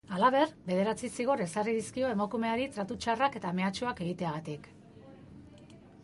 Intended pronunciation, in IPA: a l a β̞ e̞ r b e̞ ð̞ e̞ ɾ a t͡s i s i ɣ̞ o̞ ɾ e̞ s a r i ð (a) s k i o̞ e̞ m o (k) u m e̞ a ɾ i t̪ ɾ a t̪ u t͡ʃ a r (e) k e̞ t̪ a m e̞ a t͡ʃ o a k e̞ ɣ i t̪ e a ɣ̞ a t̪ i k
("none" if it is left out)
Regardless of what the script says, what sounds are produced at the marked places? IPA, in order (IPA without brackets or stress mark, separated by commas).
i, k, a